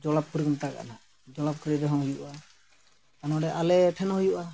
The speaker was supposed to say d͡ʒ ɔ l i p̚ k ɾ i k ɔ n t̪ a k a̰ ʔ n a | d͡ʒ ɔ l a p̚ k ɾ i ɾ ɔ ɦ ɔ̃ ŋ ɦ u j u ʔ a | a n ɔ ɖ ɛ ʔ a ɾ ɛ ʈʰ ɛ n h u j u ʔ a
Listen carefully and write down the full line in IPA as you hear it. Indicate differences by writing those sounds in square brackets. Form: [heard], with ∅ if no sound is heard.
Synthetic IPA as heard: d͡ʒ ɔ l [a] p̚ k ɾ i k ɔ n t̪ a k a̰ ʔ n a | d͡ʒ ɔ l a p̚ k ɾ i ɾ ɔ ɦ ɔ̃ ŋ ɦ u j u ʔ a | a n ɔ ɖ ɛ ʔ a [l] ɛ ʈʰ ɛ n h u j u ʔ a